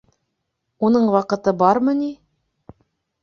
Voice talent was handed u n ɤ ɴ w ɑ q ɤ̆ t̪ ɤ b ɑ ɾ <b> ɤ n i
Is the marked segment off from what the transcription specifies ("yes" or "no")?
yes